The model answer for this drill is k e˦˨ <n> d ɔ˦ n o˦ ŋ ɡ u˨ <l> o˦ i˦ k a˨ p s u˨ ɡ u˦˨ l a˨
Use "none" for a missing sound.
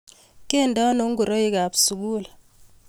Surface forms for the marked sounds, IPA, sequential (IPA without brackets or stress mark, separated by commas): n, ɾ